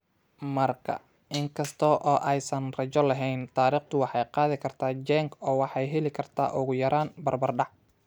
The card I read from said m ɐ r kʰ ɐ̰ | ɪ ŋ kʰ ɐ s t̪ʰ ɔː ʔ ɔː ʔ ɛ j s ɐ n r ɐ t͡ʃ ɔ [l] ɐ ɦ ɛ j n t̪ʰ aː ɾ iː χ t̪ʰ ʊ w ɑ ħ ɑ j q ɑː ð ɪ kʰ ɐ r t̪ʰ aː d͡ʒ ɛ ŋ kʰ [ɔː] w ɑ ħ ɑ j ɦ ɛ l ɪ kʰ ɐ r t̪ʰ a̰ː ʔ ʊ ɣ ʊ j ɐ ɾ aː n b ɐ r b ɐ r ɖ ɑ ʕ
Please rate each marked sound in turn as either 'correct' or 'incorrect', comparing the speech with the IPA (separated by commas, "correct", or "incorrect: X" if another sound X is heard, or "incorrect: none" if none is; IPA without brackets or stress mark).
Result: correct, correct